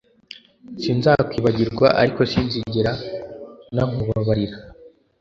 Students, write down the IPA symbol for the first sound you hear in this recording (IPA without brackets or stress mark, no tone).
s